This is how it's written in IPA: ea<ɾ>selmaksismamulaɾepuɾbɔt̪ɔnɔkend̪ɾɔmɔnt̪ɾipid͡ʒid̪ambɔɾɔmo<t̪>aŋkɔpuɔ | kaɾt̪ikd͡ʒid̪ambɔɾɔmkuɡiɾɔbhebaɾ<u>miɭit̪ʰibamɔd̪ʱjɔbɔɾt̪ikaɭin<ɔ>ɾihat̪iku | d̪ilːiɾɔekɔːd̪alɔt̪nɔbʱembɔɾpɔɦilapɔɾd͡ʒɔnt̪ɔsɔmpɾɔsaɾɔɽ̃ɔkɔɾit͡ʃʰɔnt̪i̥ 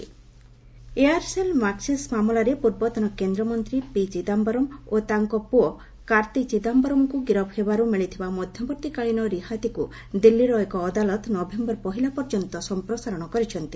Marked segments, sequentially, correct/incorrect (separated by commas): correct, correct, correct, correct